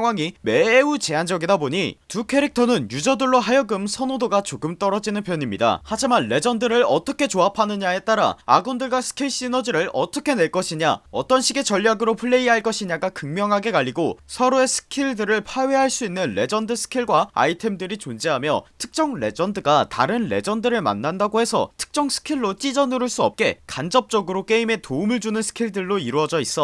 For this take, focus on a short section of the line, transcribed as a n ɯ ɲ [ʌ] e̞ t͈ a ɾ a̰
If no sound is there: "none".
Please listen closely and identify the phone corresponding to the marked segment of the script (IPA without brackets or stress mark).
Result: a